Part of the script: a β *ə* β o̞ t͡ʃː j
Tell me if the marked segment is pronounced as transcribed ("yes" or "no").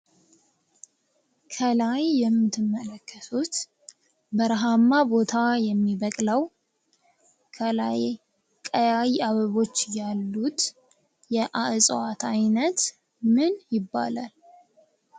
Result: yes